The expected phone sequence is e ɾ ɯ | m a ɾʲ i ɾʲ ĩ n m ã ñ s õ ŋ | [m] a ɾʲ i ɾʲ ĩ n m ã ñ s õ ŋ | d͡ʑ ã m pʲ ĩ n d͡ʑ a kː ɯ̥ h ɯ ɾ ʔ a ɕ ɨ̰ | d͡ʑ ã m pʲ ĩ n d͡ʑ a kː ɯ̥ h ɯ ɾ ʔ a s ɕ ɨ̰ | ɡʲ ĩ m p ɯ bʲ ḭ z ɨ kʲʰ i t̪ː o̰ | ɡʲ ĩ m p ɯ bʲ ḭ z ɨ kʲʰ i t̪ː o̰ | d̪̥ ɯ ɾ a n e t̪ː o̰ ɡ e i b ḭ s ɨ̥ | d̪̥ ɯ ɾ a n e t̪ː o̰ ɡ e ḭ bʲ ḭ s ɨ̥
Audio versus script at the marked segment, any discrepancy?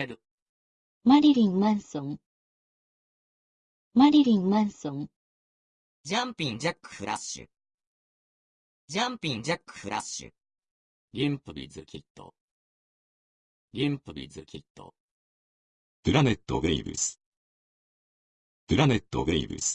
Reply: no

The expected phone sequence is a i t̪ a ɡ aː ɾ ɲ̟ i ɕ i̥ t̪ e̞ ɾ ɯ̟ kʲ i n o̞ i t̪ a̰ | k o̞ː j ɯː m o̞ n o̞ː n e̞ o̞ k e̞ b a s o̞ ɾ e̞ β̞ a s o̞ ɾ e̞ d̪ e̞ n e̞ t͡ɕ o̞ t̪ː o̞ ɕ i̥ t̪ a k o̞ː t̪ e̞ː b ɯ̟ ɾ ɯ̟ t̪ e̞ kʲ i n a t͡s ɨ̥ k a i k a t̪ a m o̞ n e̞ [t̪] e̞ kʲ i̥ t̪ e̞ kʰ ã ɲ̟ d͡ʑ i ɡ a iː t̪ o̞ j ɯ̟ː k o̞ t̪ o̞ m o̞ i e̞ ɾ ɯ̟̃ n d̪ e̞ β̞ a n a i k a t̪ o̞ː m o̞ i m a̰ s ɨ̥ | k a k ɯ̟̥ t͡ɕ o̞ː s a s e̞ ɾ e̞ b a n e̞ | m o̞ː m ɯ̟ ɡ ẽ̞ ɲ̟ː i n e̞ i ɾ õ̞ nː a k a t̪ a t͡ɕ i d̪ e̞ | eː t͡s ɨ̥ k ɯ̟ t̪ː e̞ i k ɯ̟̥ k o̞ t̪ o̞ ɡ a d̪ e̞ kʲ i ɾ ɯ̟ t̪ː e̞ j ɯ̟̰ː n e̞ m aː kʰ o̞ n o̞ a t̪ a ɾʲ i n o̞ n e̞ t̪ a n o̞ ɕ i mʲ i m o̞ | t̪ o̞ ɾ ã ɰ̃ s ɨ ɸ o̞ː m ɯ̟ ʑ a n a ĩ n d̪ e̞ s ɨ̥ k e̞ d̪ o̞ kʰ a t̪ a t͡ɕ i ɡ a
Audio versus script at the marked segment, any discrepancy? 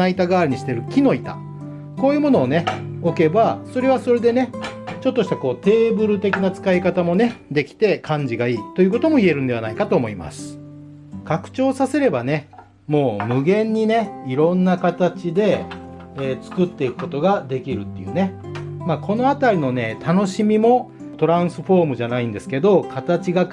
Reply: yes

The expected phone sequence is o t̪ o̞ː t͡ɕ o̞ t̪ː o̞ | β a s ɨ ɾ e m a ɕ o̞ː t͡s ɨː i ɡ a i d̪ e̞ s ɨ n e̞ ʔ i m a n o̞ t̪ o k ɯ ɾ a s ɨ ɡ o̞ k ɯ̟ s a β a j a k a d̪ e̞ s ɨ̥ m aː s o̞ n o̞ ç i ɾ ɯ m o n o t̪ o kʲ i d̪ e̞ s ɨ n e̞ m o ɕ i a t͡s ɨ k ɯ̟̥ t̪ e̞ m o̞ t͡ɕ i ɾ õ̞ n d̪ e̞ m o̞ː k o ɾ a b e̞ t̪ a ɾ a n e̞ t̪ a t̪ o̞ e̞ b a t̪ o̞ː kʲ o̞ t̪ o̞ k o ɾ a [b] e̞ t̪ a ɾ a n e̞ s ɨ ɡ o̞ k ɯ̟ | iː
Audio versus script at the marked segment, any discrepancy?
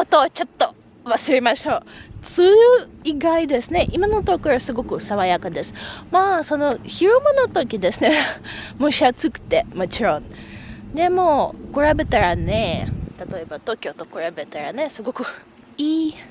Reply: no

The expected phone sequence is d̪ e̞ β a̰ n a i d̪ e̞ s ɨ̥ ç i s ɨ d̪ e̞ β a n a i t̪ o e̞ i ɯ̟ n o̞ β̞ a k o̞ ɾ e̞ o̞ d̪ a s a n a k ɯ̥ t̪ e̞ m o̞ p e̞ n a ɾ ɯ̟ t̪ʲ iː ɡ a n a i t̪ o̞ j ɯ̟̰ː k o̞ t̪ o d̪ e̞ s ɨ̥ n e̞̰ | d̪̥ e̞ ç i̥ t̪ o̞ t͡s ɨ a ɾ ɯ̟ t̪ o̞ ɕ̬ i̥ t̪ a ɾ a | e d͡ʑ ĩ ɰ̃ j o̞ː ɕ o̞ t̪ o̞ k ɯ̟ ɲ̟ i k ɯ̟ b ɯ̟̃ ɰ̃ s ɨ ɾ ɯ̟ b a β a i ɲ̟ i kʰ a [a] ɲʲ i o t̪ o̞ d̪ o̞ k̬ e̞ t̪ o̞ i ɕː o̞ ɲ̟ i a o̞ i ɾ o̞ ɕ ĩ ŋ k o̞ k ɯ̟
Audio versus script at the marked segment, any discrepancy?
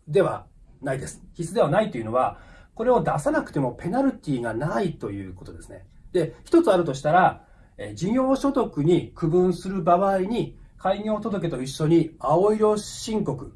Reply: yes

